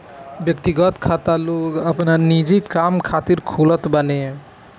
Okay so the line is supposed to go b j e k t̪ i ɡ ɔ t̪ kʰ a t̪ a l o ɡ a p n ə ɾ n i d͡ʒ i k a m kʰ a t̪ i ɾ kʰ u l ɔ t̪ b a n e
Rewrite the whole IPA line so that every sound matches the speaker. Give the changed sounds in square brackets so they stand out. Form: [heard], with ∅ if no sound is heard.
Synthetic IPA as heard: b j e k t̪ i ɡ ɔ t̪ kʰ a t̪ a l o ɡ a p n [a] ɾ n i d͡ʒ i k a m kʰ a t̪ i ɾ kʰ u l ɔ t̪ b a n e